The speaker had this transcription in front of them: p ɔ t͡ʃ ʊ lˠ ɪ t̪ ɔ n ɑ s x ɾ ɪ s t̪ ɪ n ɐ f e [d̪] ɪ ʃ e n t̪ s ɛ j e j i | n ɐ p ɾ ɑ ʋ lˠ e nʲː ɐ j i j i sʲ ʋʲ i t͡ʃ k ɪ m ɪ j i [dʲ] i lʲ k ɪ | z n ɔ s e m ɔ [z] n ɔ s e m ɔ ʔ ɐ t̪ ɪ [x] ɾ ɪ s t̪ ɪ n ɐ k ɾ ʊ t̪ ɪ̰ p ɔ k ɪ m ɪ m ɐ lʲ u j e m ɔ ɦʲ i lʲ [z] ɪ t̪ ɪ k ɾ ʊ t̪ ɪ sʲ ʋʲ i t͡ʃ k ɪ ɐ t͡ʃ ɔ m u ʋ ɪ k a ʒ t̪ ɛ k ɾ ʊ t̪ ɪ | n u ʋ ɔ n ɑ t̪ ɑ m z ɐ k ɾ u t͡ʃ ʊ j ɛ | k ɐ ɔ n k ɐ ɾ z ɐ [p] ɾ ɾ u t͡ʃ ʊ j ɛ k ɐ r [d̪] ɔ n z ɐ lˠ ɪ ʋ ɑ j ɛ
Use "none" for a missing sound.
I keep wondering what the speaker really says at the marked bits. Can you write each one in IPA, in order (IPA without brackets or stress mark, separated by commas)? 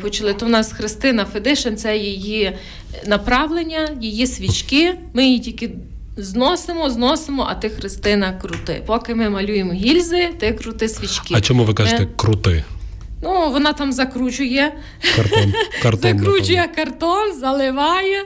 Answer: d̪, tʲ, z, x, z, k, t̪